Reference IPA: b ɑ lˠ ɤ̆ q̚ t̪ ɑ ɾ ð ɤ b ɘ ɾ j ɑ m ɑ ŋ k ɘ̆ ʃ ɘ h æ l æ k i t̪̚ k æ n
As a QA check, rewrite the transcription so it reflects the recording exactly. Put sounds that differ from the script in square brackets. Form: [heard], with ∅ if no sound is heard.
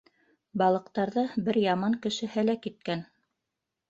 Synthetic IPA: b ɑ lˠ ɤ̆ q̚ t̪ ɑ ɾ ð ɤ b ɘ ɾ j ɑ m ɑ ŋ k ɘ̆ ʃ ɘ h æ l æ k i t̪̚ k æ n